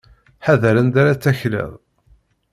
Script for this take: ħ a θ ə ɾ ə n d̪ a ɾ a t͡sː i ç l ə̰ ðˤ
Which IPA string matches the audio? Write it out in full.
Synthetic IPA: ħ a ð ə ɾ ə n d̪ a ɾ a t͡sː æ ç l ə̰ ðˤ